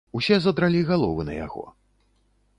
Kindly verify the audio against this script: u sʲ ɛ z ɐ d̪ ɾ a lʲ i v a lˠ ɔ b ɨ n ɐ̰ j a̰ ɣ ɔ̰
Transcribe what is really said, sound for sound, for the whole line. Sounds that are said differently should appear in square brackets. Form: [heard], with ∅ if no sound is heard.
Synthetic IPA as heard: u sʲ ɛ z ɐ d̪ ɾ a lʲ i [ɣ] a lˠ ɔ [v] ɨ n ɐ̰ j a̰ ɣ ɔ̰